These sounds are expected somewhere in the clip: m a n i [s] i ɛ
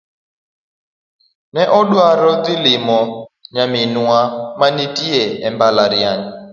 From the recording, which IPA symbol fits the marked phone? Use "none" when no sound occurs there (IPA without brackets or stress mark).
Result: t